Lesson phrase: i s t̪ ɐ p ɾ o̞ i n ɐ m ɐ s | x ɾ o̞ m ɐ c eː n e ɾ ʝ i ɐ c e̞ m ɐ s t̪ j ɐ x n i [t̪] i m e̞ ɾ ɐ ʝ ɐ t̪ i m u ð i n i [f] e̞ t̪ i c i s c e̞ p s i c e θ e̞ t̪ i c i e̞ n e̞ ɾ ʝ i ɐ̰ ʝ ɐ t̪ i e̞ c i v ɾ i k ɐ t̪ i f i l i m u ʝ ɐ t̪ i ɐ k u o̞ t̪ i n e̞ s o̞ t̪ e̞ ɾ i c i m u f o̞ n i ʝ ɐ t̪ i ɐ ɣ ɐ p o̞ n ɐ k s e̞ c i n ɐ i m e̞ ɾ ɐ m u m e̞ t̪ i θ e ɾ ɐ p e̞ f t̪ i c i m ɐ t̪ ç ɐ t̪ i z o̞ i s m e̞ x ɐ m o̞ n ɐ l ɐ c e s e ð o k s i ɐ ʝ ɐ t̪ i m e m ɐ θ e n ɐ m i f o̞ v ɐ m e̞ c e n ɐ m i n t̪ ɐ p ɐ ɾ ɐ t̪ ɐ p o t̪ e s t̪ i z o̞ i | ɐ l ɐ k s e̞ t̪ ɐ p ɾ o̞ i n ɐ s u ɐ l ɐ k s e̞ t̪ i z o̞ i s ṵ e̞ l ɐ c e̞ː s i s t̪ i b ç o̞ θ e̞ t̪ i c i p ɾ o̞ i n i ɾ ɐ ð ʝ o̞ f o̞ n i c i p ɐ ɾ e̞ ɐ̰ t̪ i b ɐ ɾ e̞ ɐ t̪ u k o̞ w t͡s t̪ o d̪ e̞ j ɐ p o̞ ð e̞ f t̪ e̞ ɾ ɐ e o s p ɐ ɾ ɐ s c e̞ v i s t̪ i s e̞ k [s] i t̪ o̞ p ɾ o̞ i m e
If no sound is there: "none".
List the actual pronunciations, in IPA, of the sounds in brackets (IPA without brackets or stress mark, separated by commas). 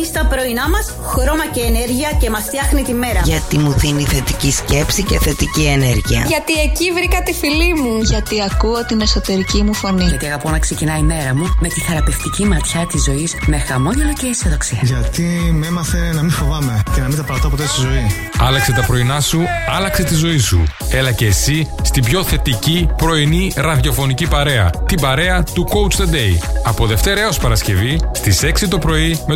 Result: t̪, θ, s